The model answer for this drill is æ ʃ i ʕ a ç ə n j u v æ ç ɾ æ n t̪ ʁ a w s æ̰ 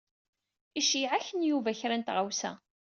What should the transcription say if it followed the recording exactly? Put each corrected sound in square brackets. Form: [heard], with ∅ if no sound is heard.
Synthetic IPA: [i] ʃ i ʕ a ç ə n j u v æ ç ɾ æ n t̪ ʁ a w s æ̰